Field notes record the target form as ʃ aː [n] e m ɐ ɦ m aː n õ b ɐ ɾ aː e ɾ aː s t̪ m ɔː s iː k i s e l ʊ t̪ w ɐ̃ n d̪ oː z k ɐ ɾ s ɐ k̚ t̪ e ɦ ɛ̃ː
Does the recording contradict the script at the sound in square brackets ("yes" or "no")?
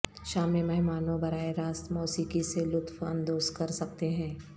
yes